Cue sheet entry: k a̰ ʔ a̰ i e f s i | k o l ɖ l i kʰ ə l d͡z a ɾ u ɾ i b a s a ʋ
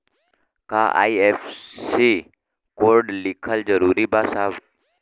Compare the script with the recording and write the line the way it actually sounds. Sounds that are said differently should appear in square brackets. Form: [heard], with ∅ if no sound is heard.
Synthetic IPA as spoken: k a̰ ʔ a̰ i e f s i | k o [ɾ] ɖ l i kʰ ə l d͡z [ə] ɾ u ɾ i b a s a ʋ